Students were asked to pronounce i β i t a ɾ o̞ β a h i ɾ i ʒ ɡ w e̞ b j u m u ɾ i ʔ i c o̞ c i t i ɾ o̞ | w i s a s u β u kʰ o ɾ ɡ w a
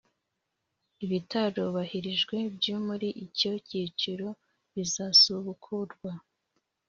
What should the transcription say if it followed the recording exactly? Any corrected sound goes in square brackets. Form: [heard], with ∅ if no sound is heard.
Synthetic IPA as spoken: i β i t a ɾ o̞ β a h i ɾ i ʒ ɡ w e̞ b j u m u ɾ i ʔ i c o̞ c i [t͡ʃ] i ɾ o̞ | [β] i [z] a s u β u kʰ [u] ɾ ɡ w a